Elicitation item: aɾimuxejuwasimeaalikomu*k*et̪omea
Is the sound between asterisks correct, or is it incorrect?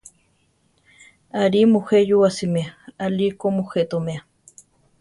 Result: incorrect